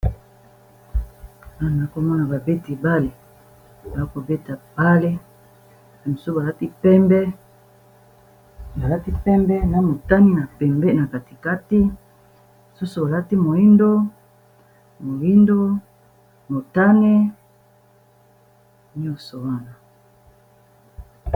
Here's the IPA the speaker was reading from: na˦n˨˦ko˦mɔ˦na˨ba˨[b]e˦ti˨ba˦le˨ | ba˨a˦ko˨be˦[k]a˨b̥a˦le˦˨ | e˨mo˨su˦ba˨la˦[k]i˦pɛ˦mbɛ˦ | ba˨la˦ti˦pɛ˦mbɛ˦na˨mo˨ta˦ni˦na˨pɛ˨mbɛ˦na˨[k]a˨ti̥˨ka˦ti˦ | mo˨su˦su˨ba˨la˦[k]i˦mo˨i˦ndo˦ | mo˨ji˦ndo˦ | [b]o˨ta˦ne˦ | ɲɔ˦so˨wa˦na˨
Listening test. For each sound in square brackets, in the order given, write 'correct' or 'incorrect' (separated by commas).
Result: correct, incorrect, incorrect, correct, incorrect, incorrect